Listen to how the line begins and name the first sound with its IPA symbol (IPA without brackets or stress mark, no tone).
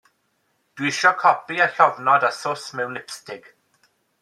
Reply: d̥